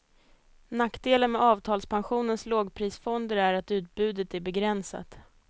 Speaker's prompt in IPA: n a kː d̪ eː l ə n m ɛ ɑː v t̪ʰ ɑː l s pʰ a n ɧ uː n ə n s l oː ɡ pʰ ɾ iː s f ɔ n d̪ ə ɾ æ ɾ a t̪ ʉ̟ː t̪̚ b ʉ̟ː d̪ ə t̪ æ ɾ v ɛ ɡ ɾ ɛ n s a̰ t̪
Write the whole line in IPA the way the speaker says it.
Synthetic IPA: n a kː d̪ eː l ə n m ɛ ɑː v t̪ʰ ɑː l s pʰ a n ɧ uː n ə n s l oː ɡ pʰ ɾ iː s f ɔ n d̪ ə ɾ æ ɾ a t̪ ʉ̟ː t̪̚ b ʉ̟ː d̪ ə t̪ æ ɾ b ɛ ɡ ɾ ɛ n s a̰ t̪